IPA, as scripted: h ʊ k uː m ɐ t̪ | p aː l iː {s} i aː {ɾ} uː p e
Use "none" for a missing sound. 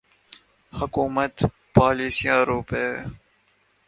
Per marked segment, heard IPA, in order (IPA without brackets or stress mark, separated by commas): s, ɾ